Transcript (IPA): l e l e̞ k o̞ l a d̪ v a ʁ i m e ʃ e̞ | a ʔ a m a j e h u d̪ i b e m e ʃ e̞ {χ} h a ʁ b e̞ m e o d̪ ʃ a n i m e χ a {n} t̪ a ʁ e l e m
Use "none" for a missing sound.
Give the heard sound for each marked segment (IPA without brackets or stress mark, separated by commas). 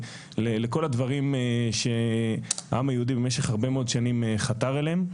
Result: χ, none